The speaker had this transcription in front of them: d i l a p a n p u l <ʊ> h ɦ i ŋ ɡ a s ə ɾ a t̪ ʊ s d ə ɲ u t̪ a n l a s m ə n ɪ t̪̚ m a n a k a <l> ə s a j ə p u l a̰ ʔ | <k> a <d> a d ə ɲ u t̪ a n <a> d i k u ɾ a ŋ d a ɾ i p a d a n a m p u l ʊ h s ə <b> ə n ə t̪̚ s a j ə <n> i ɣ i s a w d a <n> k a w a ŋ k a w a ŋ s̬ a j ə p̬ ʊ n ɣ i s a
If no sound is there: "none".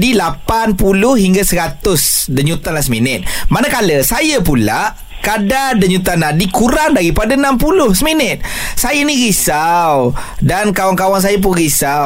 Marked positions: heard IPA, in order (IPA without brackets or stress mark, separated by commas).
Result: ʊ, l, k, d, a, m, n, n